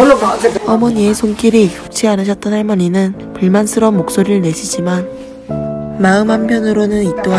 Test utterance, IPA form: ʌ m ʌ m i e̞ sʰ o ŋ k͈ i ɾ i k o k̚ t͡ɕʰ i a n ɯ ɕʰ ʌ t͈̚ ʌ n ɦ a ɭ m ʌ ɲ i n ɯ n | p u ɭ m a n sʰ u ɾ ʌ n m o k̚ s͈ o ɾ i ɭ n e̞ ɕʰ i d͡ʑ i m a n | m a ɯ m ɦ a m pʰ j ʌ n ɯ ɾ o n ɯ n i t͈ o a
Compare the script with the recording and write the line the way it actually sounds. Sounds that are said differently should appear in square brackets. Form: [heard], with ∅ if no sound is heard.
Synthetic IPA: ʌ m ʌ [ɲ] i e̞ sʰ o ŋ k͈ i ɾ i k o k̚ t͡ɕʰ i a n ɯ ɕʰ ʌ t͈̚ ʌ n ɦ a ɭ m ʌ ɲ i n ɯ n | p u ɭ m a n sʰ [ɯ] ɾ ʌ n m o k̚ s͈ o ɾ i ɭ n e̞ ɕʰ i d͡ʑ i m a n | m a ɯ m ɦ a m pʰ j ʌ n ɯ ɾ o n ɯ n i t͈ o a